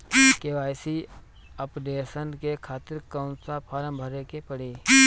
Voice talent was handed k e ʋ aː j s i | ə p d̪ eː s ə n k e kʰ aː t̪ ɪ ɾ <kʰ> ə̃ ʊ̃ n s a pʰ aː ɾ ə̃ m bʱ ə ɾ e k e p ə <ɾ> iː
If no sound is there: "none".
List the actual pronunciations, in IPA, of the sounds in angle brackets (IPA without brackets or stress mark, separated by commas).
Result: k, ɽ